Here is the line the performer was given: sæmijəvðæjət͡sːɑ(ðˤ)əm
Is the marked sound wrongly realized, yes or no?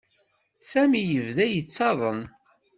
no